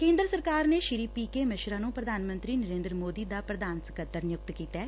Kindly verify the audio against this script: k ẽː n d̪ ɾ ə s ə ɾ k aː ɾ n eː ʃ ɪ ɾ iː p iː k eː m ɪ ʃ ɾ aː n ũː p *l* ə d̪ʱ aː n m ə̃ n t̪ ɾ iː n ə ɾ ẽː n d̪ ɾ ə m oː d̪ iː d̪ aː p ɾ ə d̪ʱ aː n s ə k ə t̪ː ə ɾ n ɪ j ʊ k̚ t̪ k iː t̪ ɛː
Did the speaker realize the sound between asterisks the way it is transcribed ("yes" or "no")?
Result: no